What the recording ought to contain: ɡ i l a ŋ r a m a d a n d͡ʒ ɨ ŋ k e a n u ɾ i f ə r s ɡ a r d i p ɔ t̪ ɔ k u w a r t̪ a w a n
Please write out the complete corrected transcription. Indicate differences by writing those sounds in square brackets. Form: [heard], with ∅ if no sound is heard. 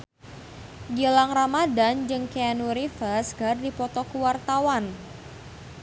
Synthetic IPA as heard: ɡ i l a ŋ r a m a d a n d͡ʒ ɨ ŋ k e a n u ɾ i f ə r s ɡ a r d i p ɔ t̪ ɔ k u w a r t̪ a w a n

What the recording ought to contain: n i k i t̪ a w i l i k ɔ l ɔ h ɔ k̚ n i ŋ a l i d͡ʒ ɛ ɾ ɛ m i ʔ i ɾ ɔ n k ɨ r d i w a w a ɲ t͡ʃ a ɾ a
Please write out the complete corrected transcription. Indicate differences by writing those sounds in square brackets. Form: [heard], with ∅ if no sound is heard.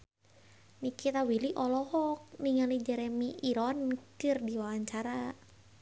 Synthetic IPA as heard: n i k i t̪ a w i l i [ʔ] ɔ l ɔ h ɔ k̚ n i ŋ a l i d͡ʒ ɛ ɾ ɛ m i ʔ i ɾ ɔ n k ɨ r d i w a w a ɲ t͡ʃ a ɾ a

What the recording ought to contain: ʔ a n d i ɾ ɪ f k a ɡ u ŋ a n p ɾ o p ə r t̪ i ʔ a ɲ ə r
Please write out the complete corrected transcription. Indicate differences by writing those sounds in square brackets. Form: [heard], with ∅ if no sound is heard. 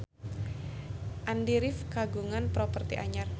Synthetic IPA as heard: ʔ a n d i ɾ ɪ f k a ɡ u ŋ a n p ɾ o p ə r t̪ i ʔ a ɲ [a] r

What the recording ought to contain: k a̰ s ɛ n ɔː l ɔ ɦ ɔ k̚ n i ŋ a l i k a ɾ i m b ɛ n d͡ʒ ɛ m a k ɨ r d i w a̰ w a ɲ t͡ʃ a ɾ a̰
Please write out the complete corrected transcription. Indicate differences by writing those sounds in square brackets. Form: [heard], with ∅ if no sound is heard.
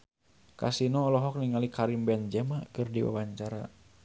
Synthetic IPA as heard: k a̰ s [i] n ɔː l ɔ ɦ ɔ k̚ n i ŋ a l i k a ɾ i m b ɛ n d͡ʒ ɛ m a k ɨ r d i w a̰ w a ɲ t͡ʃ a ɾ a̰

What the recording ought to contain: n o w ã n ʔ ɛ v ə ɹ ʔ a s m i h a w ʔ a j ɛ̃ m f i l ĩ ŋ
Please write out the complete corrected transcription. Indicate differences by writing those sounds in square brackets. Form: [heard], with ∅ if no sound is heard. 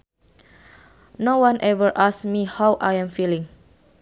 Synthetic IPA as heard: n o w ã n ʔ ɛ v ə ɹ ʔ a s m i h a w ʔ a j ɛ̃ m f i l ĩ ŋ

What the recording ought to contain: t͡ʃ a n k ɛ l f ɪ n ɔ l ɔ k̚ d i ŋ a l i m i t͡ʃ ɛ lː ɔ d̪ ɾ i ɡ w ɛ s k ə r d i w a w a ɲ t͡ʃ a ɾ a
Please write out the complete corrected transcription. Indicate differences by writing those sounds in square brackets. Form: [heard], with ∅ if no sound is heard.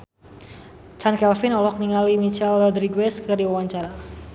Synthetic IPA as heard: t͡ʃ a n k ɛ l f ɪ n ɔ l ɔ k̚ [n] i ŋ a l i m i t͡ʃ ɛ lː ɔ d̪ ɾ i ɡ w ɛ s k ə r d i w a w a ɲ t͡ʃ a ɾ a

